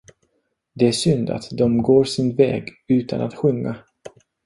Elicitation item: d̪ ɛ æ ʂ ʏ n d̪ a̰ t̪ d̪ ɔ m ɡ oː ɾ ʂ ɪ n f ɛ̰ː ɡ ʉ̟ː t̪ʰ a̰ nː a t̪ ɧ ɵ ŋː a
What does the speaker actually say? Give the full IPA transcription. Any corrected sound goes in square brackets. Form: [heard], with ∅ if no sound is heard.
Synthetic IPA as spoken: d̪ ɛ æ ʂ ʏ n d̪ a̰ t̪ d̪ ɔ m ɡ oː ɾ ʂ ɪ n [v] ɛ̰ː ɡ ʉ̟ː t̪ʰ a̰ [n] a t̪ ɧ ɵ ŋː a